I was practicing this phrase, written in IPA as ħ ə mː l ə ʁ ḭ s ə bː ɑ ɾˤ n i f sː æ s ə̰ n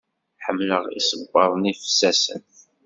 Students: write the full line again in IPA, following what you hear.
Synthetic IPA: ħ ə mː l ə ʁ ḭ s ə bː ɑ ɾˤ n i f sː æ s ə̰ n